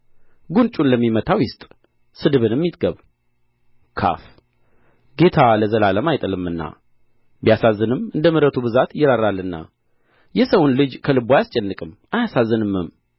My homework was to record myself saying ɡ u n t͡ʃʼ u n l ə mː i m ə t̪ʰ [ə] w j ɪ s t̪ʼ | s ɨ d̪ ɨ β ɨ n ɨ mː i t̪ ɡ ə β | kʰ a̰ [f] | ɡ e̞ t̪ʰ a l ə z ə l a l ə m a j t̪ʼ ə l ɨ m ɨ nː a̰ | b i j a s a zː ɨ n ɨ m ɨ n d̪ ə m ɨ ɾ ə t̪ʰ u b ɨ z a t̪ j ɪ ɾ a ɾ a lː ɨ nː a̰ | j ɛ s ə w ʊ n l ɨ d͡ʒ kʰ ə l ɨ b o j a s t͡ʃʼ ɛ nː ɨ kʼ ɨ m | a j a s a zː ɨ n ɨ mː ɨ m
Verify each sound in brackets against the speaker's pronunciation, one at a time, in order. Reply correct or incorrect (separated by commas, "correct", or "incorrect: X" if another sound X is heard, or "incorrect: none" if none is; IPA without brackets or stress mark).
incorrect: a, correct